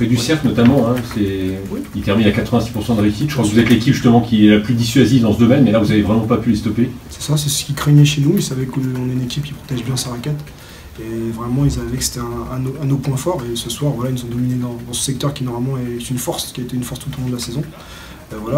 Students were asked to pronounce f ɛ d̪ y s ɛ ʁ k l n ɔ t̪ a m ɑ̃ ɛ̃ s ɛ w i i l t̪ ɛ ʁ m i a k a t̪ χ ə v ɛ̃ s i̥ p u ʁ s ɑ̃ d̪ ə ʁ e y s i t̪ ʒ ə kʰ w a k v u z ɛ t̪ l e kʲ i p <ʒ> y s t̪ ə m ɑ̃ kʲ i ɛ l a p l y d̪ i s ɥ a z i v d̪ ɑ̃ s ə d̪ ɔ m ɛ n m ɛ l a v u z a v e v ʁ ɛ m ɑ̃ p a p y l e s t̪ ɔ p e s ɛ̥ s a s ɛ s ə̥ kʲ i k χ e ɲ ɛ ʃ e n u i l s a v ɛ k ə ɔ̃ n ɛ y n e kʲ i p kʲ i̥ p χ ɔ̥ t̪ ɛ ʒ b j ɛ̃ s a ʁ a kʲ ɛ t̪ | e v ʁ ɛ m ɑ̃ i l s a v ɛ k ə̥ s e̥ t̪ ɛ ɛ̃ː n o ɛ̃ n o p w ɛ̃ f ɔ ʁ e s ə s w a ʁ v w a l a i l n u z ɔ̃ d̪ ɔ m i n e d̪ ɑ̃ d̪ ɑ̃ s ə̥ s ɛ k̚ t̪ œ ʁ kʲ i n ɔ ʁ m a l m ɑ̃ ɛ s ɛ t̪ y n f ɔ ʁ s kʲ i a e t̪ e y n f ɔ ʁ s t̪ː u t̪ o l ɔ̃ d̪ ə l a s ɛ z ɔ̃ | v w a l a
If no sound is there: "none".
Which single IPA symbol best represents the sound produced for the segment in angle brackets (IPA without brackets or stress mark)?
ʒ